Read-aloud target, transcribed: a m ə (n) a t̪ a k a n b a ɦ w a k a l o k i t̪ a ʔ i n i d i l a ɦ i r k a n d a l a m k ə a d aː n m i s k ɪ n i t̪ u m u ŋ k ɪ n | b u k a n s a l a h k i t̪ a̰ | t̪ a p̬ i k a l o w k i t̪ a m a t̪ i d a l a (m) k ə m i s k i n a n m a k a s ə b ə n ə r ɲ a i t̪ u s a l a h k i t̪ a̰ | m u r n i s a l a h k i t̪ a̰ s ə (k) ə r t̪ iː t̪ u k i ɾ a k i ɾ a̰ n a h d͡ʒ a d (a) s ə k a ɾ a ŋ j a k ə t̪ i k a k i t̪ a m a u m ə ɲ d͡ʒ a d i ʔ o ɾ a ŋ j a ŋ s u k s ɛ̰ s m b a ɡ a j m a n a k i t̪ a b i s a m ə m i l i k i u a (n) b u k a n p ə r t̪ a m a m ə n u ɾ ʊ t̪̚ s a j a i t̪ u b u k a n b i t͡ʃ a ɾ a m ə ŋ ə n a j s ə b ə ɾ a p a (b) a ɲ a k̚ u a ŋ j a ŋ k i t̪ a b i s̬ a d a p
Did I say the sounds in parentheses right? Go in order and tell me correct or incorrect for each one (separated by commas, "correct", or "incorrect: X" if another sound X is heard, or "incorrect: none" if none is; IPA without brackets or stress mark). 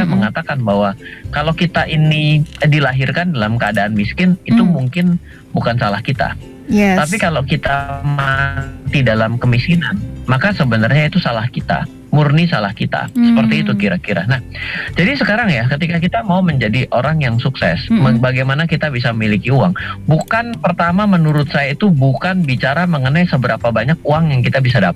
incorrect: ŋ, correct, incorrect: p, incorrect: i, incorrect: ŋ, correct